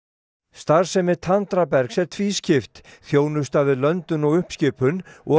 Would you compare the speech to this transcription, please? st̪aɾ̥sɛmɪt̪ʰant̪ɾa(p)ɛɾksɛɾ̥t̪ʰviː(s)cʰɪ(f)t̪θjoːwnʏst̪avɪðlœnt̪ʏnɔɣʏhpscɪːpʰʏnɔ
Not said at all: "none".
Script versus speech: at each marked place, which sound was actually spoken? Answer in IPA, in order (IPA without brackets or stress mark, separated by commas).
p, s, f